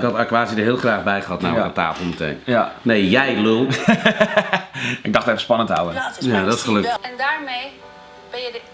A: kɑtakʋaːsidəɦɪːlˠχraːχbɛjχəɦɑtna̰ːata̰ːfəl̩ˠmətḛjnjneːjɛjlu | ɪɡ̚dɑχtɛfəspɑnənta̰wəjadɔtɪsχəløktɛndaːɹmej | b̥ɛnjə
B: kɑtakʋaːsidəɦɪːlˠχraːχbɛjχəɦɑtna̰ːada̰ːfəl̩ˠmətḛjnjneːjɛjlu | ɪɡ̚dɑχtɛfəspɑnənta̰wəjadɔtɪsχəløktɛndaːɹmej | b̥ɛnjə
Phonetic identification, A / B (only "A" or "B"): A